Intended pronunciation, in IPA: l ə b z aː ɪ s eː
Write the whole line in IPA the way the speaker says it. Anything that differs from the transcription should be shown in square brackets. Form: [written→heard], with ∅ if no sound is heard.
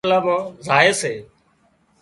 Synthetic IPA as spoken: l ə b z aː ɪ s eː